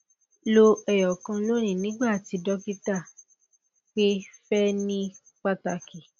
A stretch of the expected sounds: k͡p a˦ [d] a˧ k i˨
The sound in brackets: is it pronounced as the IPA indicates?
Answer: no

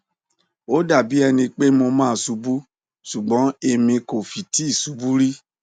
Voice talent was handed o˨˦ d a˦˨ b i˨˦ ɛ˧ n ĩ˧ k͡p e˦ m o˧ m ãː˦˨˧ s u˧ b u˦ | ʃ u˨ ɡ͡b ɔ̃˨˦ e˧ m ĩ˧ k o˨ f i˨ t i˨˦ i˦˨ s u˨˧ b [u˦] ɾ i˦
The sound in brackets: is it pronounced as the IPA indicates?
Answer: yes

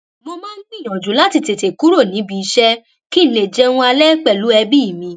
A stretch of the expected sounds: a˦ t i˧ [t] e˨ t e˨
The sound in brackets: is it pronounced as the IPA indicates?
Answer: yes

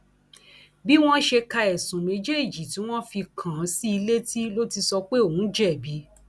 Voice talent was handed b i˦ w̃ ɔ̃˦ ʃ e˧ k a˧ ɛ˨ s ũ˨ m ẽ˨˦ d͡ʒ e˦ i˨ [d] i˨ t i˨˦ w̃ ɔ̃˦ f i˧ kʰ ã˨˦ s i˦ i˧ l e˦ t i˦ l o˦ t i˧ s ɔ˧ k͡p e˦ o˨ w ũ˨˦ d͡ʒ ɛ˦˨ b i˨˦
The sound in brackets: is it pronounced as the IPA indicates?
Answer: no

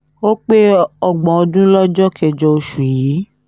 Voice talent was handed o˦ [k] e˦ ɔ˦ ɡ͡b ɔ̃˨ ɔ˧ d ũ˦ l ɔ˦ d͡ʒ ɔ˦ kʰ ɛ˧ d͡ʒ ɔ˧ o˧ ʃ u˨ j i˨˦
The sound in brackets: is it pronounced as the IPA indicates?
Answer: no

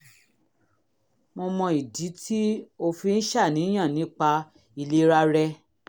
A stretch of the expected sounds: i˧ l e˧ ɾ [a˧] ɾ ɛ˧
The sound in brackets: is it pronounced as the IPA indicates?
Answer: yes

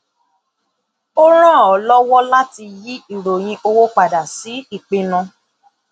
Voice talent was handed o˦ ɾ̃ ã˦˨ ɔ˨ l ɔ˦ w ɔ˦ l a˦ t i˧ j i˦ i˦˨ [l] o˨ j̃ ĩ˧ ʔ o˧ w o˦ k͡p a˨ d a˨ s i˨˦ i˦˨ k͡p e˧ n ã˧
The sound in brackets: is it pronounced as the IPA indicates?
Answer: no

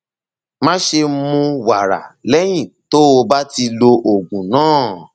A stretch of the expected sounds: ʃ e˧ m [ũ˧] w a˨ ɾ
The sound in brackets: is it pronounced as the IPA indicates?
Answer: yes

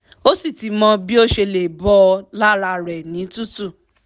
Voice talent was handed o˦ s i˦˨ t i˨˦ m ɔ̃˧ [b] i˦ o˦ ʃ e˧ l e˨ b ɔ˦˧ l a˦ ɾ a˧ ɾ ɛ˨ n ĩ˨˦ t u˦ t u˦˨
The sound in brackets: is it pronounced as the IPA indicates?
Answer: yes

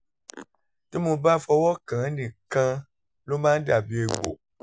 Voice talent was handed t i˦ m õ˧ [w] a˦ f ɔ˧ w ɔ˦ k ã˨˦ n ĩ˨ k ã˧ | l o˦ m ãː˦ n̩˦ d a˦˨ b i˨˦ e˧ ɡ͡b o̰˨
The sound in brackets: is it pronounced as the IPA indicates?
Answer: no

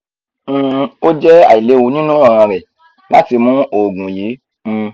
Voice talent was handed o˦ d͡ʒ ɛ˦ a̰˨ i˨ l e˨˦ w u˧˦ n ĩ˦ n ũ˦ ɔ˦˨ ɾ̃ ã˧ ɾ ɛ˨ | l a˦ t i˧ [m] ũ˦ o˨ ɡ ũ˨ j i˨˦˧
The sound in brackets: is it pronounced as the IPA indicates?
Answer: yes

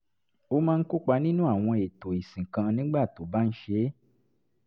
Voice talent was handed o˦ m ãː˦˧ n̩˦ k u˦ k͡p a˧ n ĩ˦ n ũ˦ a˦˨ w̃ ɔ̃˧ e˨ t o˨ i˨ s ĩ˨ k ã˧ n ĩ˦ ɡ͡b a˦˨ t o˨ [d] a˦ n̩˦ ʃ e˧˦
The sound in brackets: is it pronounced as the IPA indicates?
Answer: no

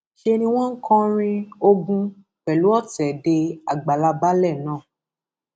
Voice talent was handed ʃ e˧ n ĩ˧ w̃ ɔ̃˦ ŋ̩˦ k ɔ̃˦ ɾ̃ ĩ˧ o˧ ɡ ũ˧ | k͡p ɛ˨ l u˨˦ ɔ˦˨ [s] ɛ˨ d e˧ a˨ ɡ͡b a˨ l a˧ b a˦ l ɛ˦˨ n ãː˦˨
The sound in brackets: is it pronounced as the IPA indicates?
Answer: no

